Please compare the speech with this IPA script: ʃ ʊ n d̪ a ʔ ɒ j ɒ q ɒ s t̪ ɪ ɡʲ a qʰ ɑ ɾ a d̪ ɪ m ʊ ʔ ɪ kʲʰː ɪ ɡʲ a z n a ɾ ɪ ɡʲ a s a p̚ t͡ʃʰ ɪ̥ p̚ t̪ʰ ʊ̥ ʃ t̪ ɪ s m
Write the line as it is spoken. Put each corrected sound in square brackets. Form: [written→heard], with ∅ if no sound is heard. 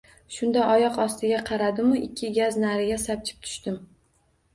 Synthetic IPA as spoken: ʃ ʊ n d̪ a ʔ ɒ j ɒ q ɒ s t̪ ɪ ɡʲ a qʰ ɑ ɾ a d̪ ɪ m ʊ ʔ ɪ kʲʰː ɪ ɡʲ a z n a ɾ ɪ ɡʲ a s a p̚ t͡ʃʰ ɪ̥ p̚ t̪ʰ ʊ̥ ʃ t̪ ɪ [s→∅] m